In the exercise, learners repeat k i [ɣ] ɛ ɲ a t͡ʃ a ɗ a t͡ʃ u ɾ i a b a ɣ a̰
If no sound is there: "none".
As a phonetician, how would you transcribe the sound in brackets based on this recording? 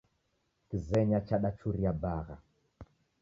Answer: z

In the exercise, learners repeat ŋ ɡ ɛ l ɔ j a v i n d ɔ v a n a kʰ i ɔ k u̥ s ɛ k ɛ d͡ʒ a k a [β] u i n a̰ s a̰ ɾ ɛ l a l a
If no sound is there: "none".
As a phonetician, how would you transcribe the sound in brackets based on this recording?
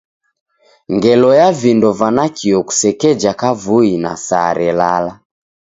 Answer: v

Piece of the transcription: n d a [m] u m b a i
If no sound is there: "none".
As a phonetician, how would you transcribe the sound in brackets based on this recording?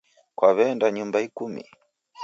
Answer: ɲ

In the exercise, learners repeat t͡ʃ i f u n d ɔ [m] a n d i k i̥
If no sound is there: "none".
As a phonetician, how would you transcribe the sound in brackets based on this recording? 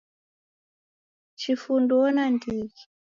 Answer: n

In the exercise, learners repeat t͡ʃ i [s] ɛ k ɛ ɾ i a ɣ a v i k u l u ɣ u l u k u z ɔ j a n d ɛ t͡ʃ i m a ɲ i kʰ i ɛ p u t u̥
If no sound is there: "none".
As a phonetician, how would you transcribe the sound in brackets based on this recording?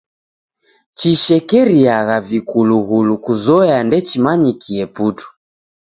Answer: ʃ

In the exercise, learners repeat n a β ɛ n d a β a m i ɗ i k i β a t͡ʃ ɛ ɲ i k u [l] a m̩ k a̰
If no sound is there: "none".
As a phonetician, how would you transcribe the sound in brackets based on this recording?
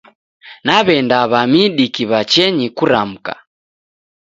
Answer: ɾ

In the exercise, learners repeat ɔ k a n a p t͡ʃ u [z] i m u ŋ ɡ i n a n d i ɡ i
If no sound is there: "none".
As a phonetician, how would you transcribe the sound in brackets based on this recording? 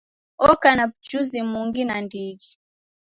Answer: z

